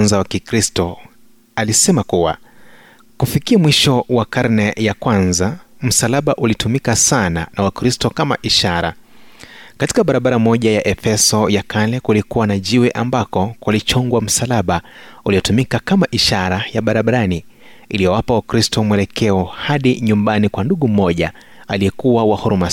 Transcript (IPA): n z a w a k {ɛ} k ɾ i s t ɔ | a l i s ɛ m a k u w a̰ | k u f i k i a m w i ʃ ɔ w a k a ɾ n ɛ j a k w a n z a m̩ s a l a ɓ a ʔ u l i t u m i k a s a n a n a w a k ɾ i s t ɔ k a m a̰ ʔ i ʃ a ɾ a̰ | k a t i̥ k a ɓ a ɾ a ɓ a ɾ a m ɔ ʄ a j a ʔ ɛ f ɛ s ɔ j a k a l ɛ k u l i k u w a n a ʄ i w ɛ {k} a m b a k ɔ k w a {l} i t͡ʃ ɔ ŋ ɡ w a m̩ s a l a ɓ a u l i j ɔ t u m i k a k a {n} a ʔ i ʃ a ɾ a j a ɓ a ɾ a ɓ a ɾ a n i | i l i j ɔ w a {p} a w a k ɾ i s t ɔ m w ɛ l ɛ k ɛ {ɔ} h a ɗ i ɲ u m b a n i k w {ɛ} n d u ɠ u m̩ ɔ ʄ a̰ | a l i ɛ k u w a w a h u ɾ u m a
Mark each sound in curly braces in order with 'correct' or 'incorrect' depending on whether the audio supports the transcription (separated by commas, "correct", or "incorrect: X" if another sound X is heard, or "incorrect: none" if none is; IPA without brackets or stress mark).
incorrect: i, incorrect: ʔ, correct, incorrect: m, correct, correct, incorrect: a